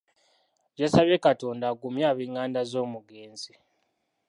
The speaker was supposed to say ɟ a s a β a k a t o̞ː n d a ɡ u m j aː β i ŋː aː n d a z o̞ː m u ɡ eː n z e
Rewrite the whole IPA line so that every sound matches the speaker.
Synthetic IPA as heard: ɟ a s a β e k a t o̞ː n d a ɡ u m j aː β i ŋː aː n d a z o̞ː m u ɡ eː n z i